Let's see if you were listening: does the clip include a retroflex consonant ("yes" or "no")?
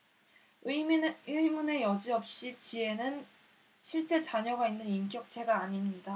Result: yes